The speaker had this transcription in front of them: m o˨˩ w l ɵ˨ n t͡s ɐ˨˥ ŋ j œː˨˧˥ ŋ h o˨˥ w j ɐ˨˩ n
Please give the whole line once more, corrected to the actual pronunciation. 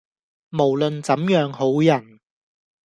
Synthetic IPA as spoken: m o˨˩ w l ɵ˨ n t͡s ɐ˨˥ m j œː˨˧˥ ŋ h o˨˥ w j ɐ˨˩ n